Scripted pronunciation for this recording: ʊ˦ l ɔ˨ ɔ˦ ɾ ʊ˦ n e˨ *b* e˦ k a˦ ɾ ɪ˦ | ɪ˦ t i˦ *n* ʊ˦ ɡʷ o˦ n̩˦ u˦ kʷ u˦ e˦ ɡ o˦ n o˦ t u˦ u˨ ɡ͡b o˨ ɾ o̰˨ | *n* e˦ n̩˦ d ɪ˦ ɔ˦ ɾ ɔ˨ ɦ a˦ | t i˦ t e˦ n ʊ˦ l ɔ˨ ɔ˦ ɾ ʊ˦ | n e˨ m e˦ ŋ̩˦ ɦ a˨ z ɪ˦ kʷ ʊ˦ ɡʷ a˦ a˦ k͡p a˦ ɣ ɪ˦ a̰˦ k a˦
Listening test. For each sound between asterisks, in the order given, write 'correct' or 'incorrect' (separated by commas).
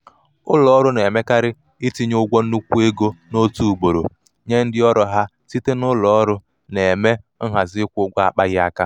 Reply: incorrect, incorrect, incorrect